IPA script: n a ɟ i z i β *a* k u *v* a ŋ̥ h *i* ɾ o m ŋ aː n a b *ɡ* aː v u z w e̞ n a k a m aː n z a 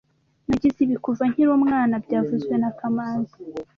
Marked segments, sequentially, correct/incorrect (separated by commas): incorrect, correct, correct, incorrect